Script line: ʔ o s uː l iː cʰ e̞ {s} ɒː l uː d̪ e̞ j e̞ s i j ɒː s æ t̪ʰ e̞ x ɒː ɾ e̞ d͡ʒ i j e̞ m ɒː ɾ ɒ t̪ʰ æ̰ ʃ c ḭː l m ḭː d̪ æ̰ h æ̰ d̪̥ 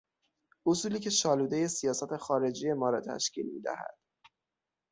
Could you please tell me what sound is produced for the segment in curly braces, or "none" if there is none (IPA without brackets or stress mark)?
ʃ